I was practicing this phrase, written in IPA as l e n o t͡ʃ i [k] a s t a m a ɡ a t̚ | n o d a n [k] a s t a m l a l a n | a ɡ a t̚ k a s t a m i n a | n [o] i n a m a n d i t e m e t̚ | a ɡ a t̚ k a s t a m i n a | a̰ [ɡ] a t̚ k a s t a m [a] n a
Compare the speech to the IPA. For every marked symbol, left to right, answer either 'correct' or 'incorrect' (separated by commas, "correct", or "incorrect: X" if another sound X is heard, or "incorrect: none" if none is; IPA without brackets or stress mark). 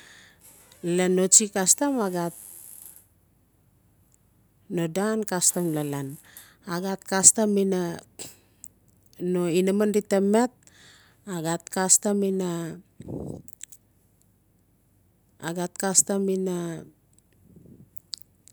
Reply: correct, correct, correct, correct, incorrect: i